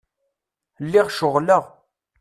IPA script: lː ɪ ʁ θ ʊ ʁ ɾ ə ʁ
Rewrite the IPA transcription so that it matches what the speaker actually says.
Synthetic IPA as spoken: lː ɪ ʁ ʃ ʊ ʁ l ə ʁ